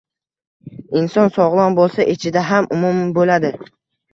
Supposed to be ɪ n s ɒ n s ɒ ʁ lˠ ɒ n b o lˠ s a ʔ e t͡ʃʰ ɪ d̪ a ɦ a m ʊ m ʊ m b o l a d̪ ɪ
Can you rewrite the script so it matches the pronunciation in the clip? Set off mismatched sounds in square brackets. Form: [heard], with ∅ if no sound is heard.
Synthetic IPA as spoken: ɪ n s ɒ n s ɒ ʁ lˠ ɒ n b o lˠ s a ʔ e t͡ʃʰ ɪ d̪ a ɦ a m ʊ m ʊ m b o l a d̪ ɪ